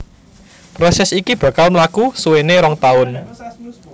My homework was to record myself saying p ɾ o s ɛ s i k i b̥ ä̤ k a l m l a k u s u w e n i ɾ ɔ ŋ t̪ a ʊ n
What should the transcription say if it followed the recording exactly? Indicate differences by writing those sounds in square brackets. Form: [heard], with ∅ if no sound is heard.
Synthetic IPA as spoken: p ɾ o s ɛ s i k i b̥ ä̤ k a l m l a k u s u w e n [e] ɾ ɔ ŋ t̪ a ʊ n